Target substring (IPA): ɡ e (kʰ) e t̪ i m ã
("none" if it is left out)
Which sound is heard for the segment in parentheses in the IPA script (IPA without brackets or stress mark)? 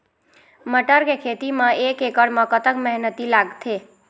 kʰ